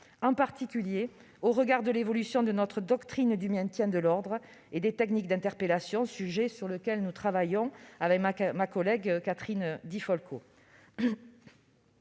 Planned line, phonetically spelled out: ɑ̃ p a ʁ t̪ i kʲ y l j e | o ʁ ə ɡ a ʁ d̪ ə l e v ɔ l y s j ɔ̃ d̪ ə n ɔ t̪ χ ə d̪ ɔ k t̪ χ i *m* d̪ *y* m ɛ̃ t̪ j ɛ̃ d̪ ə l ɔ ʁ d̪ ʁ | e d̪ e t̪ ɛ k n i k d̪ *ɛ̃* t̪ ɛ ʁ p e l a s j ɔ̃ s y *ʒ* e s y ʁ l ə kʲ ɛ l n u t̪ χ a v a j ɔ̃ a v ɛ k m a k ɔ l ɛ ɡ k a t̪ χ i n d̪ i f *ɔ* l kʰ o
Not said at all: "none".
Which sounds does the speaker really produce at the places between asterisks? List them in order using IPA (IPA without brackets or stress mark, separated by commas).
n, y, ɛ̃, ʒ, ɔ